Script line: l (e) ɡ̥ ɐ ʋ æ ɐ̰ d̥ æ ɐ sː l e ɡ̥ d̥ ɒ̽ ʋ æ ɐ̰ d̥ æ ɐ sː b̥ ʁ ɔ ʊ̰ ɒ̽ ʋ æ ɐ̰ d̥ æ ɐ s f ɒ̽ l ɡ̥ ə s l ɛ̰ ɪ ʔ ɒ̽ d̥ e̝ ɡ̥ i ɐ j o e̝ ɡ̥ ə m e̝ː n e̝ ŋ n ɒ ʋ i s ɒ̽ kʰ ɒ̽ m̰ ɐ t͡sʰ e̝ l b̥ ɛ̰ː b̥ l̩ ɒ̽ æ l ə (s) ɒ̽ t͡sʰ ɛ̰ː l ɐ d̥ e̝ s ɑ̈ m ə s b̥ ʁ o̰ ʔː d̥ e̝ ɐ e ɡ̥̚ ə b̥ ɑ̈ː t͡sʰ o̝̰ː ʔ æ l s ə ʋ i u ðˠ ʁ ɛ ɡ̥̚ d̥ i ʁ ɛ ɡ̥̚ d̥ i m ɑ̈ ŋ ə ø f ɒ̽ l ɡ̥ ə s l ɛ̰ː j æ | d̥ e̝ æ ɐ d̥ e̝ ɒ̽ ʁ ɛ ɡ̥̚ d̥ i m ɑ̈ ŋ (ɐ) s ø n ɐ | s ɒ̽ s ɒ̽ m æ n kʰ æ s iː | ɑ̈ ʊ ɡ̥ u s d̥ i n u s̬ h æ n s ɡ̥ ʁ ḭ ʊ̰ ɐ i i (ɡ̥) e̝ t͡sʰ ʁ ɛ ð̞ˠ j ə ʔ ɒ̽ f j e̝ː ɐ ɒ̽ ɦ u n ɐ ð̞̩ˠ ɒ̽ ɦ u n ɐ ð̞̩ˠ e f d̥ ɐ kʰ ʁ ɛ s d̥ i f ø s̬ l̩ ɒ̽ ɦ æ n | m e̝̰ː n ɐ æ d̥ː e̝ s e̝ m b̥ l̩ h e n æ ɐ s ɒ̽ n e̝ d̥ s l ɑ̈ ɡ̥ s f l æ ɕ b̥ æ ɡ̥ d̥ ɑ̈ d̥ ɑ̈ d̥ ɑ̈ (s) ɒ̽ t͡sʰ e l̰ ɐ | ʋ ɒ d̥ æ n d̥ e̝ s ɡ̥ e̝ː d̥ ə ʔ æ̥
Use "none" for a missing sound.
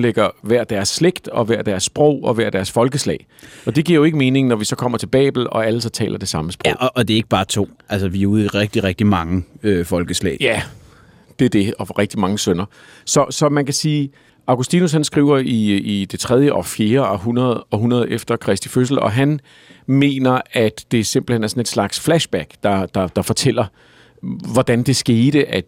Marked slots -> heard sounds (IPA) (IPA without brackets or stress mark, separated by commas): e, s, ə, d̥, f